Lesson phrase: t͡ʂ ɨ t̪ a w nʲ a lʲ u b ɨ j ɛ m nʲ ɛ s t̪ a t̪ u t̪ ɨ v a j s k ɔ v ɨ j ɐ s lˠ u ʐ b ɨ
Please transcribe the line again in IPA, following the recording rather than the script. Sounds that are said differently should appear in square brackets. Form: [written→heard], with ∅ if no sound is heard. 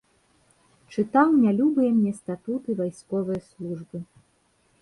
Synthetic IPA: t͡ʂ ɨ t̪ a w nʲ a lʲ u b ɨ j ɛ m nʲ ɛ s t̪ a t̪ u t̪ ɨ v a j s k ɔ v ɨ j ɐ s lˠ u ʐ b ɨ